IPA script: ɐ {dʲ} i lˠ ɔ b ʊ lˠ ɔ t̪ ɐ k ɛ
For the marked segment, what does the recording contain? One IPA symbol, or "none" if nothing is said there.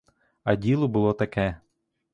dʲ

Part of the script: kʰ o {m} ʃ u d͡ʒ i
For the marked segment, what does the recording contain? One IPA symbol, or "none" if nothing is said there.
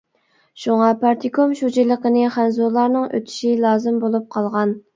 m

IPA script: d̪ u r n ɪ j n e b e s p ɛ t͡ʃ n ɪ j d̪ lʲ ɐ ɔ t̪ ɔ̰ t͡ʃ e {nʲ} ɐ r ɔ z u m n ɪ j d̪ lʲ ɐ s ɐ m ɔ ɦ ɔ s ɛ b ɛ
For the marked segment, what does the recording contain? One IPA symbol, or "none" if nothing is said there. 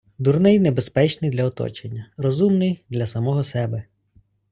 nʲː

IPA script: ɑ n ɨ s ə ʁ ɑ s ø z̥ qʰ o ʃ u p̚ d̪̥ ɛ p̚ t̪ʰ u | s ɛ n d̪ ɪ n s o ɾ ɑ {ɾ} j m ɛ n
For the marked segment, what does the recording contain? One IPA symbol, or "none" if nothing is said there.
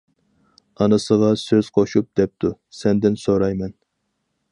none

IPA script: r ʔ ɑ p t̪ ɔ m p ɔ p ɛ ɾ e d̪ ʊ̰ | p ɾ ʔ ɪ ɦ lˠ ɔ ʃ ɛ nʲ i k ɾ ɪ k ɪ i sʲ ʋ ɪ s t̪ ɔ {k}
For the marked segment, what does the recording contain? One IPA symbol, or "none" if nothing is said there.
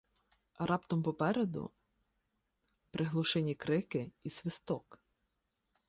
k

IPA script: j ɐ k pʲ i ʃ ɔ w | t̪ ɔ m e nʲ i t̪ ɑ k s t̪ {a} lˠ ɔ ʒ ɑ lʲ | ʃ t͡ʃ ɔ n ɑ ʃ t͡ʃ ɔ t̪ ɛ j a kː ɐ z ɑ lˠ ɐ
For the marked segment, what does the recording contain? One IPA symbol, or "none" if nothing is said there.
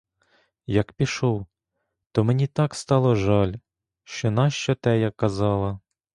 ɑ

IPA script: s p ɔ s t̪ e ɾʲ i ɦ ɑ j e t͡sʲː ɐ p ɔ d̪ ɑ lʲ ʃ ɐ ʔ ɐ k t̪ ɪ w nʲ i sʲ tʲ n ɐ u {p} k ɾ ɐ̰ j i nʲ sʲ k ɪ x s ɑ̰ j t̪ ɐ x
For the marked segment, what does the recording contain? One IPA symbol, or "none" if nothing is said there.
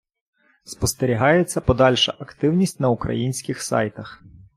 none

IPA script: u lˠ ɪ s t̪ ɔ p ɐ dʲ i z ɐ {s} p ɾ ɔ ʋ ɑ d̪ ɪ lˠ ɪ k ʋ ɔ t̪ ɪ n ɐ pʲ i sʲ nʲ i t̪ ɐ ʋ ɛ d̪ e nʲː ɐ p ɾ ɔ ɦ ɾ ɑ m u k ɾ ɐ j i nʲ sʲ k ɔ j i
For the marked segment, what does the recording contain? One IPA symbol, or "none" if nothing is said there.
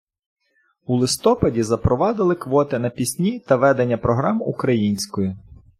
none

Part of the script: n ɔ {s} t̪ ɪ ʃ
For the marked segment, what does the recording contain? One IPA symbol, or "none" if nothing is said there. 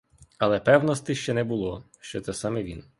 s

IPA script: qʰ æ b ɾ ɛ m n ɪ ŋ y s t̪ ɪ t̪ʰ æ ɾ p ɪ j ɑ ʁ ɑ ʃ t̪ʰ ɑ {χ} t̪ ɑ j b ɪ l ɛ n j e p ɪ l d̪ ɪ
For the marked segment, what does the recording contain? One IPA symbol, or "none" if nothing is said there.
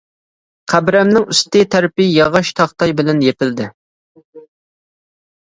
χ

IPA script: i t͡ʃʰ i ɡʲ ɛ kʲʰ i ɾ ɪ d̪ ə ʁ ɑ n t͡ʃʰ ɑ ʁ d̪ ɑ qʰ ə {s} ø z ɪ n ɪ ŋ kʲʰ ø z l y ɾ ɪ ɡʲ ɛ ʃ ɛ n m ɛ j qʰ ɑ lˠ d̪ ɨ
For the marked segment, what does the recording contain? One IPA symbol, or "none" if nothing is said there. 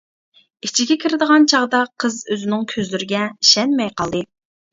z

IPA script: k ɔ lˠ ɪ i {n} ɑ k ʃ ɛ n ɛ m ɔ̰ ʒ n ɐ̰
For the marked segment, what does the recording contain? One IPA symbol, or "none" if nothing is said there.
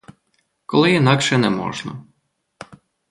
n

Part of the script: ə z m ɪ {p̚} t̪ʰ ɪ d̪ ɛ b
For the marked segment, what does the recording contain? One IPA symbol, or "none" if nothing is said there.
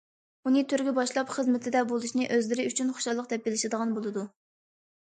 none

